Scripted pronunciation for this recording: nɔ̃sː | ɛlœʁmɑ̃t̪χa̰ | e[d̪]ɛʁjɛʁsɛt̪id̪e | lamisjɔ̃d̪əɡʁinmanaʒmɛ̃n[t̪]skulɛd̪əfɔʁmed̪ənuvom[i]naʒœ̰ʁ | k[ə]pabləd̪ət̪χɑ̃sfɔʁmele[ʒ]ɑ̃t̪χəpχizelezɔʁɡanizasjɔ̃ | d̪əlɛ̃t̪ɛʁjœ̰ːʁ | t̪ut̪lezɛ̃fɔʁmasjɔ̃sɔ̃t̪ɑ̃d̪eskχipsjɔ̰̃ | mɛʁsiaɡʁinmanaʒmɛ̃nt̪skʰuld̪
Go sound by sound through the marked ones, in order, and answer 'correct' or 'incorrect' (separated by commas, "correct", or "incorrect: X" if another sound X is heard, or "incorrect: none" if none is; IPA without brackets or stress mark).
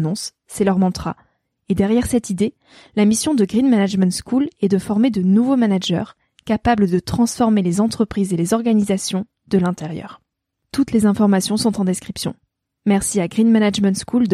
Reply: correct, correct, incorrect: a, incorrect: a, incorrect: z